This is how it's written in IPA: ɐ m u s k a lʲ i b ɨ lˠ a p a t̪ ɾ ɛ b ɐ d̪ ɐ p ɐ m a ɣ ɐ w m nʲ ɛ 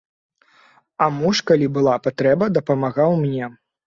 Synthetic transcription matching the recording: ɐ m u ʂ k a lʲ i b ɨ lˠ a p a t̪ ɾ ɛ b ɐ d̪ ɐ p ɐ m a ɣ a w m nʲ ɛ